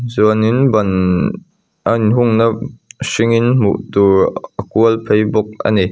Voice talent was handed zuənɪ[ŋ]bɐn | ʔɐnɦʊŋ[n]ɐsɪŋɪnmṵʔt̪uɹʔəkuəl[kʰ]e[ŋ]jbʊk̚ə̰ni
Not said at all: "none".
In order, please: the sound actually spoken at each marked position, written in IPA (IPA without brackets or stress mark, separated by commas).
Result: n, n, pʰ, none